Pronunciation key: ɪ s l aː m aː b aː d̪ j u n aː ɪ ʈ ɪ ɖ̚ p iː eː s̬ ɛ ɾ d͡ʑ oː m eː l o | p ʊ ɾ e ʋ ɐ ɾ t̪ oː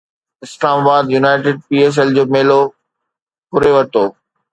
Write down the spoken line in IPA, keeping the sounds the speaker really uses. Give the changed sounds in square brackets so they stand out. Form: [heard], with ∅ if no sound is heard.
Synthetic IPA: ɪ s l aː m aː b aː d̪ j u n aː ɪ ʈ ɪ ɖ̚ p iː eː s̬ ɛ [l] d͡ʑ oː m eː l o | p ʊ ɾ e ʋ ɐ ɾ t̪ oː